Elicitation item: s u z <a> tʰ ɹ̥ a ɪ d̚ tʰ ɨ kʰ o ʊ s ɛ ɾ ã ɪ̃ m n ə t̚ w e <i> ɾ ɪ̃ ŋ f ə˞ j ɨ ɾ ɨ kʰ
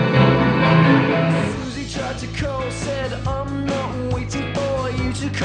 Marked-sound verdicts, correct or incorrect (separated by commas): incorrect, incorrect